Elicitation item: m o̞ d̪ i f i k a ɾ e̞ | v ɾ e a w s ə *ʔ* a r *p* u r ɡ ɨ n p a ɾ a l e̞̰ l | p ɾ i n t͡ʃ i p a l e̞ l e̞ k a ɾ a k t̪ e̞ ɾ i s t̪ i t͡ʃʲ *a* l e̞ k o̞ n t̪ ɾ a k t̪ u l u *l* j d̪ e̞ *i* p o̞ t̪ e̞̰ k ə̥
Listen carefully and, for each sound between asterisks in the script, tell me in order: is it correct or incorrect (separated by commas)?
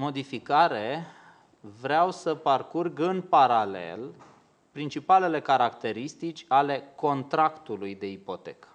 incorrect, incorrect, correct, incorrect, correct